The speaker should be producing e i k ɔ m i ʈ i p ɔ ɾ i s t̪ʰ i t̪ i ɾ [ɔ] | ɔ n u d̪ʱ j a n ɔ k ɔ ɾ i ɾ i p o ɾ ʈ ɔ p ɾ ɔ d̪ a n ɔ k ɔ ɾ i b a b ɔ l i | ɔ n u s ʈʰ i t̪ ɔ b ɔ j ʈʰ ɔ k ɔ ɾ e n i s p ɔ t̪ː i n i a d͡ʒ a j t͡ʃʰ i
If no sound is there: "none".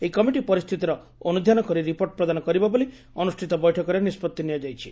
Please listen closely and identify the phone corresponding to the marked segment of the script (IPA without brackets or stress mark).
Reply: ɔ